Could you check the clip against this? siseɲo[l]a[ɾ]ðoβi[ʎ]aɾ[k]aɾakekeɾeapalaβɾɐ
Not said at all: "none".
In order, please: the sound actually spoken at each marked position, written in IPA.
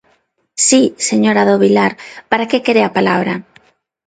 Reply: ɾ, none, l, p

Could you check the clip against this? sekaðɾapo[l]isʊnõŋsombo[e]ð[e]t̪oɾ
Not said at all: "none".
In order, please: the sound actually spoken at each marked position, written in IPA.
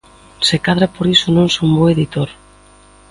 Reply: ɾ, e, i

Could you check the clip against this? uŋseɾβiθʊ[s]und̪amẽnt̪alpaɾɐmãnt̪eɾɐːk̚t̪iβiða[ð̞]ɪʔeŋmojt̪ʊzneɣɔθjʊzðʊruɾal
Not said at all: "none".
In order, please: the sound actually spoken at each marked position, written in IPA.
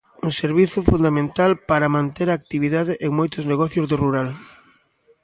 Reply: f, ð̞

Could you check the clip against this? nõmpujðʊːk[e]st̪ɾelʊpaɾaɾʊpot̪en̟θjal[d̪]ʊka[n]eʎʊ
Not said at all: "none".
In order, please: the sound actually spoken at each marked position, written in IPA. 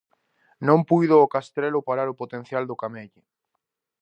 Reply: a, d̪, m

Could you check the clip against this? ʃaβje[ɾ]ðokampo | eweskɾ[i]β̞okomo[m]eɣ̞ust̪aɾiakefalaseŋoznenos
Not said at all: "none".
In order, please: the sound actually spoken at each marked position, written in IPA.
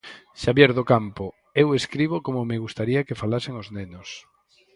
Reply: ɾ, i, m

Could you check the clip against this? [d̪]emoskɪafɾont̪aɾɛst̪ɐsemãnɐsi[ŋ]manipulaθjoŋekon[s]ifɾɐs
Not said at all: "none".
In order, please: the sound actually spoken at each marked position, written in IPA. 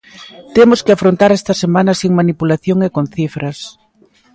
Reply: t̪, ŋ, θ

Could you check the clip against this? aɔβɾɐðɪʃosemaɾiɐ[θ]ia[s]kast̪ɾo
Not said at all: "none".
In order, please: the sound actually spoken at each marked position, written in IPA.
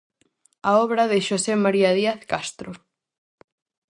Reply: ð, θ

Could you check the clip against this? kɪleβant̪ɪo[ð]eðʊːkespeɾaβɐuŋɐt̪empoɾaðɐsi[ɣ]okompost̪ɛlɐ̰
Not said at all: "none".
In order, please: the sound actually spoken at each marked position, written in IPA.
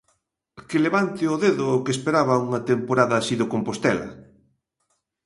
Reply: ð, ð

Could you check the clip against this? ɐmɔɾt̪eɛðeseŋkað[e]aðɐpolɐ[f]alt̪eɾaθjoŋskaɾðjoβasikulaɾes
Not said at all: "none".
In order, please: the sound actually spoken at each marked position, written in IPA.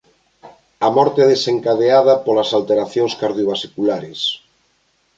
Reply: e, s

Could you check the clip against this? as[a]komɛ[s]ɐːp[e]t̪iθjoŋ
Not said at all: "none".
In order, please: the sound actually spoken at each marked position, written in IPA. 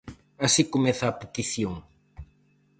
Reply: i, θ, e

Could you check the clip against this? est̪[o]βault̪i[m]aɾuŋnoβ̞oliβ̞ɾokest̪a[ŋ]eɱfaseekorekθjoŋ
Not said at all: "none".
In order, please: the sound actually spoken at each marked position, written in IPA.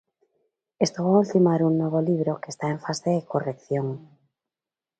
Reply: o, m, none

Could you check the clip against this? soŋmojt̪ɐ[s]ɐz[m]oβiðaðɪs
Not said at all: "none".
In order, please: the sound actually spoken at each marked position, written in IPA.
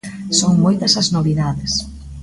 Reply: s, n

